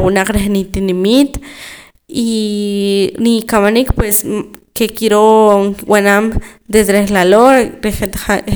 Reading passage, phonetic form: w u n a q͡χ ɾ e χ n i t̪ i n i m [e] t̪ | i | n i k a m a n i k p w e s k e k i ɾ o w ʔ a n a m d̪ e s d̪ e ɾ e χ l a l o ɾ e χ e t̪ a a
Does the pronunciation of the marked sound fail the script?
yes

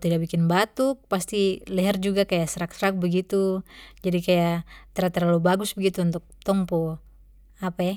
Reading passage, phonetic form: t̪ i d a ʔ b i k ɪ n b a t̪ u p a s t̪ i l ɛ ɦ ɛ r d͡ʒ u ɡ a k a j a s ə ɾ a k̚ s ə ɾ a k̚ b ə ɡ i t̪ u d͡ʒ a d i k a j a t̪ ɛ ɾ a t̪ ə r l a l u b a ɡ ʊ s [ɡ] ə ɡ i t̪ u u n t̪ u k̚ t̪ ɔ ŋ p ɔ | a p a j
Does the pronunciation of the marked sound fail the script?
yes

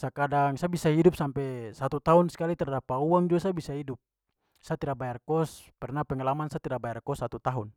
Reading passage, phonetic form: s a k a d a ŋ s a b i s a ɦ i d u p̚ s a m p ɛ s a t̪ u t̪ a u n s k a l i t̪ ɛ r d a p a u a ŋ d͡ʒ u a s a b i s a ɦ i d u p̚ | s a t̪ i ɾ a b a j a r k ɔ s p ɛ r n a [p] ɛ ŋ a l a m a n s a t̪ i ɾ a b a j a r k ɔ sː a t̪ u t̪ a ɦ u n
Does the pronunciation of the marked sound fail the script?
no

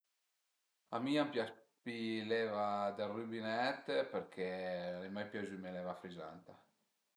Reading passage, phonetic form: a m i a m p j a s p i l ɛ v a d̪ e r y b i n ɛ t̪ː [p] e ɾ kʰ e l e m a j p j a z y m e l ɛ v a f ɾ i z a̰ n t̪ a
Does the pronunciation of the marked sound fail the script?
no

